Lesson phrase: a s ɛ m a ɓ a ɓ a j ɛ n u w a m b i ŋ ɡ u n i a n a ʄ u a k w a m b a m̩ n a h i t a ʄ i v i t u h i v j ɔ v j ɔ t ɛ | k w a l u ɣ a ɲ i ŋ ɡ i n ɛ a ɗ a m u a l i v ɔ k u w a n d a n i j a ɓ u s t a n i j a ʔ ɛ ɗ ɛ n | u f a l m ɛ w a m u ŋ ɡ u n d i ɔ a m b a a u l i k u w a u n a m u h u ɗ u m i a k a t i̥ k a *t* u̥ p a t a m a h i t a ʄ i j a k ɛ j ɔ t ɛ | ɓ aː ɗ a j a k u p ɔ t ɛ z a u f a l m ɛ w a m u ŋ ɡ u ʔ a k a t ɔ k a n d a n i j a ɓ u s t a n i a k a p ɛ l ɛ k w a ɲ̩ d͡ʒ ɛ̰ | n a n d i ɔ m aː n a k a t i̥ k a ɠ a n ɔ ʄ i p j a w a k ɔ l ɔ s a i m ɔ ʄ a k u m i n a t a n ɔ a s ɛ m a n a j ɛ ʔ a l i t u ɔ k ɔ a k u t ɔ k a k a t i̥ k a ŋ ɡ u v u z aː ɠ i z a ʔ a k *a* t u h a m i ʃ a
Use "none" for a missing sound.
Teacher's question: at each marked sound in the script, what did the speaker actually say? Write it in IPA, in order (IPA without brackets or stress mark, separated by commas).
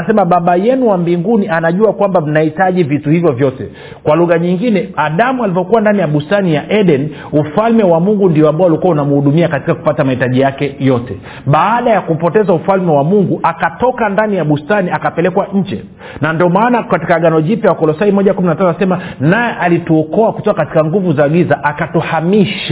k, a